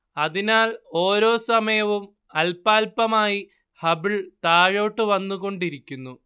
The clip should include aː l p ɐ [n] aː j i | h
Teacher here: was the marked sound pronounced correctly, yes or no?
no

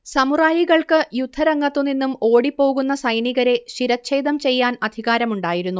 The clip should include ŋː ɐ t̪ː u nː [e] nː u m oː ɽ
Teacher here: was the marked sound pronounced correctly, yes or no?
no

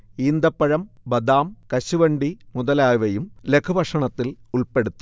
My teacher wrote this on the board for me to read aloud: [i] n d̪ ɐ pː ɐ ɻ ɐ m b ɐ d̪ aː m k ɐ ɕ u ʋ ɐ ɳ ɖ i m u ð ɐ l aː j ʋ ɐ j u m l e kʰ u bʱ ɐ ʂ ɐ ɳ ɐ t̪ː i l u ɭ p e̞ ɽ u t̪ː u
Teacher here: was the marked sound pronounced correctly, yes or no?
no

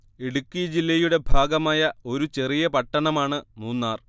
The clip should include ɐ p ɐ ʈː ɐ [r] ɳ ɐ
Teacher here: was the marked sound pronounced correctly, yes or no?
no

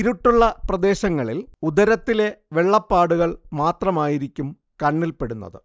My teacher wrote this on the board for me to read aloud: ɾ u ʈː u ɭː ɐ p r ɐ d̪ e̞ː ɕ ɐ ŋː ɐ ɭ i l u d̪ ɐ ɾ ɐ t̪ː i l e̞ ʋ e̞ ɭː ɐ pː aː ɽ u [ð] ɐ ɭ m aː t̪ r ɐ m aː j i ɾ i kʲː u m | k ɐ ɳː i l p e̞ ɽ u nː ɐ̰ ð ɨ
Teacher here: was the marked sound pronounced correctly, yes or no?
no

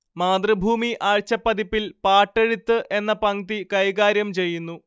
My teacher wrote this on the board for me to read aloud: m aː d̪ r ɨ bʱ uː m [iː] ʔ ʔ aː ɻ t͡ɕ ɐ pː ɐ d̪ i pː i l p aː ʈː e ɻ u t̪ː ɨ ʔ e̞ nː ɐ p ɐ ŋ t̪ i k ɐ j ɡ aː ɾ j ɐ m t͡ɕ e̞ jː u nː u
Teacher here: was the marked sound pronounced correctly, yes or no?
no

